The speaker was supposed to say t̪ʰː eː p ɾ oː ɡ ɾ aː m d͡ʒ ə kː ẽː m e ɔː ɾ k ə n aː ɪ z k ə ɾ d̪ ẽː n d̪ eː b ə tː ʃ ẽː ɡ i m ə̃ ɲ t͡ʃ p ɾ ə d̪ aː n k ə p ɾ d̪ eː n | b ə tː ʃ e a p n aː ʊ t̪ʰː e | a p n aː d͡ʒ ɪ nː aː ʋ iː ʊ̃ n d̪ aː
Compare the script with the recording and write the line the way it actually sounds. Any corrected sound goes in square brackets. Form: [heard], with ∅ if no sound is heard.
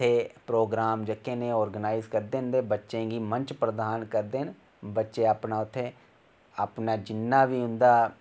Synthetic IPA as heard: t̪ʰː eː p ɾ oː ɡ ɾ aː m d͡ʒ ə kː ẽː [n] e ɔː ɾ [ɡ] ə n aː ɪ z k ə ɾ d̪ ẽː n d̪ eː b ə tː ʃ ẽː ɡ i m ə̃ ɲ t͡ʃ p ɾ ə d̪ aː n k ə [∅] ɾ d̪ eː n | b ə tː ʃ e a p n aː ʊ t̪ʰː e | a p n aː d͡ʒ ɪ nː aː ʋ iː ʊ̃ n d̪ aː